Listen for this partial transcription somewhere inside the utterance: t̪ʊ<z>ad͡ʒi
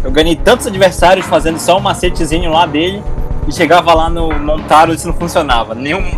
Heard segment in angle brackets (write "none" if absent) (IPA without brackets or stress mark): z